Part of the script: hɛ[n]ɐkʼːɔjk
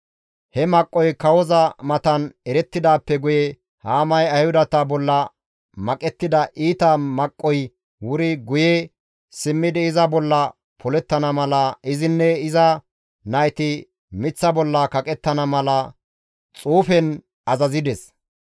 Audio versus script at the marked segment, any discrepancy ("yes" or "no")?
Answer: yes